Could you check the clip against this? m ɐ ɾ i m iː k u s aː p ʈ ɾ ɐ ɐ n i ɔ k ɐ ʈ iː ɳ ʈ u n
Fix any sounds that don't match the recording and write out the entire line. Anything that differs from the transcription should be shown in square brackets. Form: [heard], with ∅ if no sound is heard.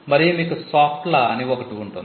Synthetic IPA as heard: m ɐ ɾ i m iː k u s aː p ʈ [l] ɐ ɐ n i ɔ k ɐ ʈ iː ɳ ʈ u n